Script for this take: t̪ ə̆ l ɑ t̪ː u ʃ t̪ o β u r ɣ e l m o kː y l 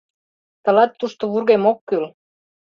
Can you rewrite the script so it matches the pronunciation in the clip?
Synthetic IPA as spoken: t̪ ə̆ l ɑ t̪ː u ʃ t̪ o β u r ɣ e m o kː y l